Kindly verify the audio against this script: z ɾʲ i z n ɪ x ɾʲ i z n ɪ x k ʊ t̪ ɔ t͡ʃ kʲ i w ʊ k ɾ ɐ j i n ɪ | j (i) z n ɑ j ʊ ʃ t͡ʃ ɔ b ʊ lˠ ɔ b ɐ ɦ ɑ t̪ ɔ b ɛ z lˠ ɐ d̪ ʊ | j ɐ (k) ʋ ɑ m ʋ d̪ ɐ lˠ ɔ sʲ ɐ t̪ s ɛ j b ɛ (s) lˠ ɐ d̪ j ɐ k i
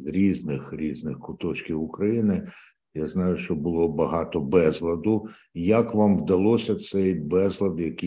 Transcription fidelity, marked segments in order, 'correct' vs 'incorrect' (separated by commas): incorrect, correct, incorrect